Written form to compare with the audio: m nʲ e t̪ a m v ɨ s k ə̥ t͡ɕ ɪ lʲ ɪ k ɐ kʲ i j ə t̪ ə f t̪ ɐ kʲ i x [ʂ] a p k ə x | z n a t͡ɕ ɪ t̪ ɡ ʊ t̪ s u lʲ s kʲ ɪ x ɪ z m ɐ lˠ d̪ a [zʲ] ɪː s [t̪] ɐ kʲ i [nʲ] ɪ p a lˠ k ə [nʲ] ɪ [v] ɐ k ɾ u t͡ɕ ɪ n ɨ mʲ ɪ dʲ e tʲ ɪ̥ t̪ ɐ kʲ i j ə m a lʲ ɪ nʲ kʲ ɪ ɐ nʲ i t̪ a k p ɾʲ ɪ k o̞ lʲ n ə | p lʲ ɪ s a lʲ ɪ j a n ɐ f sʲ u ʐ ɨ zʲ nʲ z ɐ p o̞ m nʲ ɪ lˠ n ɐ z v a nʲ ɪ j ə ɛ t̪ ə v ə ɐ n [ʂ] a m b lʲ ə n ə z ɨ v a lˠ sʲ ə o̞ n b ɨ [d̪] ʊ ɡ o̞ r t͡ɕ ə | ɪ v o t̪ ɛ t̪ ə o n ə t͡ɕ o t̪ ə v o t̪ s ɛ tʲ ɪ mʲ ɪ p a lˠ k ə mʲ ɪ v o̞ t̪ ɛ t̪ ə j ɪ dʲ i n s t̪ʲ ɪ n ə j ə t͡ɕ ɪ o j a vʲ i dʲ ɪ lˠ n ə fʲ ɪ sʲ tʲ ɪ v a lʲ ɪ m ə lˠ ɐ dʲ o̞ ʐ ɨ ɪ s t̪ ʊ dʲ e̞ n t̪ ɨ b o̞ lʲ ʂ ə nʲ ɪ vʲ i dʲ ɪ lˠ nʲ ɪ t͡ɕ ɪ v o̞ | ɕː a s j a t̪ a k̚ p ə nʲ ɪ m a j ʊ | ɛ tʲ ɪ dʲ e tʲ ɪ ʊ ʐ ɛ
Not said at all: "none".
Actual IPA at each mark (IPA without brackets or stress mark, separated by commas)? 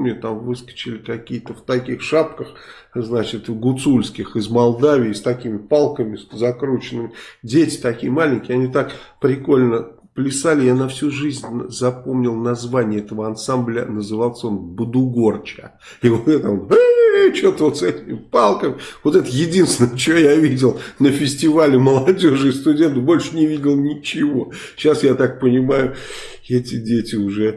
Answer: ʂ, vʲ, t̪, mʲ, mʲ, z, s, d̪